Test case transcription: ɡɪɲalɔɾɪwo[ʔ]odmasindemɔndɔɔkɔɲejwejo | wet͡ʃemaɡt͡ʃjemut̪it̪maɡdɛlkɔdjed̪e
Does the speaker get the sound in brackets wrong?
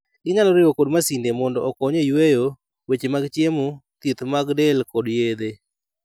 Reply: yes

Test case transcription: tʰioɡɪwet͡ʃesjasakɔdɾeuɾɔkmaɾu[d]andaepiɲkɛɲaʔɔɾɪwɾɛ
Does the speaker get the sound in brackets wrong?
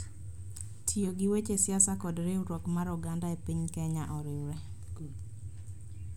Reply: yes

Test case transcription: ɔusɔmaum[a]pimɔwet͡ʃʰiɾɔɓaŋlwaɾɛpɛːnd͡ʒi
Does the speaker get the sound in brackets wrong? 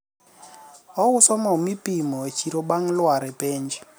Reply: yes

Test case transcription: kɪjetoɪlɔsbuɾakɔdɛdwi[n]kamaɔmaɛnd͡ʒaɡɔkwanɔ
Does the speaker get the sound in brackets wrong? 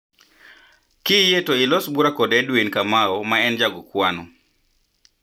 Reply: no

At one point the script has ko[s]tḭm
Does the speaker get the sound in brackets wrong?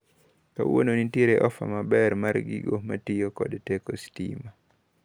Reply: no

